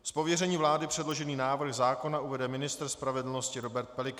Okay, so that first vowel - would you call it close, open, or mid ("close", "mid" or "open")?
mid